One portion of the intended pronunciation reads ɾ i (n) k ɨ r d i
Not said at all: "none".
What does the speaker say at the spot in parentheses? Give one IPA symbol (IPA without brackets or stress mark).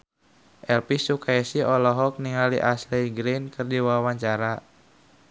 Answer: n